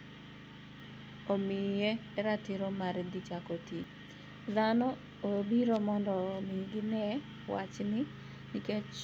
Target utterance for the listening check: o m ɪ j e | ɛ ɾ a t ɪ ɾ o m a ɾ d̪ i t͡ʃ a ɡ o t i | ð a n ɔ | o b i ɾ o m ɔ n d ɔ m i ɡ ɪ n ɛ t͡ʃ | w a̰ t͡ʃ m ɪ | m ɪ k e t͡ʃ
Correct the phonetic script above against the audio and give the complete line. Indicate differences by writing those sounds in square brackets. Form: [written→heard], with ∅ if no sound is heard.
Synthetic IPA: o m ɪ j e | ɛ ɾ a t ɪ ɾ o m a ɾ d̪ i t͡ʃ a [ɡ→k] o t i | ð a n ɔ | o b i ɾ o m ɔ n d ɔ m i ɡ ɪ n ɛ [t͡ʃ→∅] | w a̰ t͡ʃ [m→n] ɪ | [m→n] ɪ k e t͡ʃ